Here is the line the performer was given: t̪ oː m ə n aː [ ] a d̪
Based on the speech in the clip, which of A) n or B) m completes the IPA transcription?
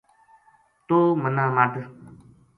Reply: B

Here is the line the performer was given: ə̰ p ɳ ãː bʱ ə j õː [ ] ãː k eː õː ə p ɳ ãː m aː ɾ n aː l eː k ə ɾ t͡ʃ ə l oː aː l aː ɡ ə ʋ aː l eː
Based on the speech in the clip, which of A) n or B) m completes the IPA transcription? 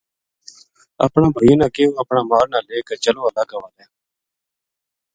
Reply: A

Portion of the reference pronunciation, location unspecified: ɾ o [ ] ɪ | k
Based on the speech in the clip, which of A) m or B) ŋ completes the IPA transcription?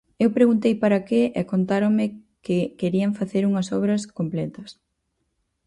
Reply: A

